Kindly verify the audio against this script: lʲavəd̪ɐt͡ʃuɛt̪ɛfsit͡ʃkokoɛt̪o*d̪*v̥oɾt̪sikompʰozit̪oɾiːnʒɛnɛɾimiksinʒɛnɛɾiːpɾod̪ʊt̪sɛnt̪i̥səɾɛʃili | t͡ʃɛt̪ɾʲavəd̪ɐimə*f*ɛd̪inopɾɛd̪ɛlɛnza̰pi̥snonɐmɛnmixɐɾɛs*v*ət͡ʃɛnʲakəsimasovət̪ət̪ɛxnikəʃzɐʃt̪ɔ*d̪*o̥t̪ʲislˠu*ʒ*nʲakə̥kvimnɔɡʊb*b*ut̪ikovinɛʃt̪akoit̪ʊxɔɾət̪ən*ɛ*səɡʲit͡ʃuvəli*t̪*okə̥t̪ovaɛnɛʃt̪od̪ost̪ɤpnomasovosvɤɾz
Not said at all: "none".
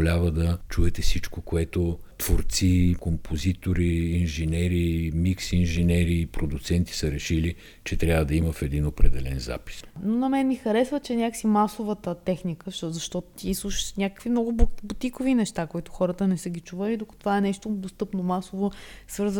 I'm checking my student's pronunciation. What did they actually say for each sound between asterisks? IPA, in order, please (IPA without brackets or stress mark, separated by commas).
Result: t̪, f, v, t̪, ʃ, b, ɛ, d̪